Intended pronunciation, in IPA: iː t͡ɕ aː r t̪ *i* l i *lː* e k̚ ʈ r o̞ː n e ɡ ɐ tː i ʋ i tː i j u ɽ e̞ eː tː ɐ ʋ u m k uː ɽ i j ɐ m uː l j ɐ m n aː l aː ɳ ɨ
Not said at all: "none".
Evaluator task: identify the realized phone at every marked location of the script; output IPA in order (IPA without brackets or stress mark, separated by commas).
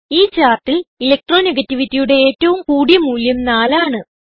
i, l